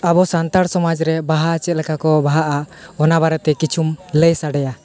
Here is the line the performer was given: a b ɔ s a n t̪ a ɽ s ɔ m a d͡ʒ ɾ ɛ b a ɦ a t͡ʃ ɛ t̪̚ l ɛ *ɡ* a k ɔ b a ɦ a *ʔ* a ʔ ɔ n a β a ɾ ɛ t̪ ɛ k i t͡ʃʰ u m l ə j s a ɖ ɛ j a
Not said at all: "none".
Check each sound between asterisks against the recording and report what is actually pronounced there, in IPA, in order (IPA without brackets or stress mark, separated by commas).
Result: k, ʔ